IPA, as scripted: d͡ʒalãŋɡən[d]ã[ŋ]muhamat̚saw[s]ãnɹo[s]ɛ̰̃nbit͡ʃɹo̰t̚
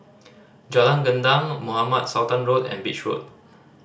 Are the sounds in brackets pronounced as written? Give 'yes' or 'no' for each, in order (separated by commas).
yes, yes, no, no